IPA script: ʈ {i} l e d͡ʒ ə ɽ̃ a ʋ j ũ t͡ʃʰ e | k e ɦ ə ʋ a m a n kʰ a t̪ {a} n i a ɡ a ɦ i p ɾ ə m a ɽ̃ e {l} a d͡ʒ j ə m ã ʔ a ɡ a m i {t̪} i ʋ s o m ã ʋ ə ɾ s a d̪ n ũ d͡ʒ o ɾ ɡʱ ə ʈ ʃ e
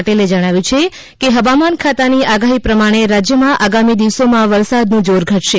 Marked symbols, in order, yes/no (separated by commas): no, yes, no, no